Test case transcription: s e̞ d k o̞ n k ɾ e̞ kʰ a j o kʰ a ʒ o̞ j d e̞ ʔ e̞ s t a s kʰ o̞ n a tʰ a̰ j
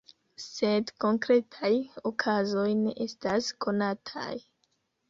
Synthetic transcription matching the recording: s e̞ d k o̞ ŋ k ɾ e̞ tʰ a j o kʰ a z o̞ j n e̞ ʔ e̞ s t a s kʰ o̞ n a tʰ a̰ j